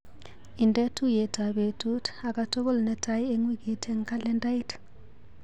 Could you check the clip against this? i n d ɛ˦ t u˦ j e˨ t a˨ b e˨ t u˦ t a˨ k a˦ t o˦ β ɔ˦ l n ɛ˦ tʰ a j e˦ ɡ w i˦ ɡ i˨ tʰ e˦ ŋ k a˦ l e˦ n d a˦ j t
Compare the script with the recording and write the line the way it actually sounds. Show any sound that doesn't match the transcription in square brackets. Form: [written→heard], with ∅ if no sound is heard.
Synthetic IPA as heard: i n d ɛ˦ t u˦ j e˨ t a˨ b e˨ t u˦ t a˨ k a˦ t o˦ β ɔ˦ l n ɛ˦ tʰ a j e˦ [ɡ→ŋ] w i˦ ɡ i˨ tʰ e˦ ŋ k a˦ l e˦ n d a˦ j t